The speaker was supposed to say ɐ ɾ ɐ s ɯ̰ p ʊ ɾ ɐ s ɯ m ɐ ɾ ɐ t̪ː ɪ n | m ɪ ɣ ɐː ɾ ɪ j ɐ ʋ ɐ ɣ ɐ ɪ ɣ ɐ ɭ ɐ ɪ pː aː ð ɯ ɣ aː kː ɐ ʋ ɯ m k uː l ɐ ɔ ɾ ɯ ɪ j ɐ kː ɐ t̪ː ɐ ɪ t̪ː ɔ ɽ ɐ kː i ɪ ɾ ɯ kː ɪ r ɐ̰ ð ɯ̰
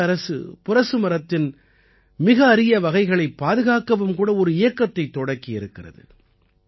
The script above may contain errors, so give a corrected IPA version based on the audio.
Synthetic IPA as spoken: ɐ ɾ ɐ s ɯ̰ p ʊ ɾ ɐ s ɯ m ɐ ɾ ɐ t̪ː ɪ n | m ɪ ɣ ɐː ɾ ɪ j ɐ ʋ ɐ ɣ ɐ ɪ ɣ ɐ ɭ ɐ ɪ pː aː ð ɯ ɣ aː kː ɐ ʋ ɯ m k uː ɽ ɐ ɔ ɾ ɯ ɪ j ɐ kː ɐ t̪ː ɐ ɪ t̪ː ɔ ɽ ɐ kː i ɪ ɾ ɯ kː ɪ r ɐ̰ ð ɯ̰